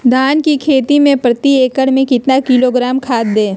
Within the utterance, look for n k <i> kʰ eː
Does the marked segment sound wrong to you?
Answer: no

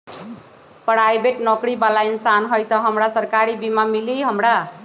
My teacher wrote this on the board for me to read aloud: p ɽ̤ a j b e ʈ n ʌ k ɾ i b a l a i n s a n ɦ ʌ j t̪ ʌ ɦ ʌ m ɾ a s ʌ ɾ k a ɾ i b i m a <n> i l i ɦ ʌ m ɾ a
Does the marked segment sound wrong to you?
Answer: yes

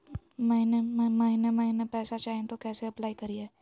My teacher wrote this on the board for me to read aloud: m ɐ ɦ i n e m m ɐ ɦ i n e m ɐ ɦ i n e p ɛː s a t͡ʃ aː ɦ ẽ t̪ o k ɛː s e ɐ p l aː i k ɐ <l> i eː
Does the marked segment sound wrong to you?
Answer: yes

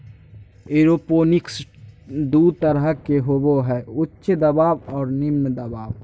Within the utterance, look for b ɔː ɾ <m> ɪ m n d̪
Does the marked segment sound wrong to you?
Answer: yes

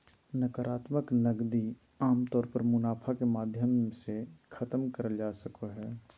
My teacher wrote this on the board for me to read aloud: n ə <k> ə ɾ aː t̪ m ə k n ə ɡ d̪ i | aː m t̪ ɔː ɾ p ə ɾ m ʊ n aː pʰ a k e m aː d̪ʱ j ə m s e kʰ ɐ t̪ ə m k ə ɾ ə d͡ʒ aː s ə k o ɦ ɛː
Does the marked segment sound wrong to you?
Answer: no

